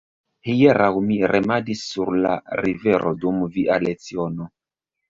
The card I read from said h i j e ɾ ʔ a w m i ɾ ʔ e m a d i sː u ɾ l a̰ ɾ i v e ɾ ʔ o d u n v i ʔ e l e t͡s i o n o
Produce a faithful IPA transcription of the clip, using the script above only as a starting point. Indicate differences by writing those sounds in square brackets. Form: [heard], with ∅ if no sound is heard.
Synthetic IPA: h i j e ɾ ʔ a w m i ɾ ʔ e m a d i sː u ɾ l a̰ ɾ i v e ɾ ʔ o d u [m] v i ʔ [a] l e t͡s i o n o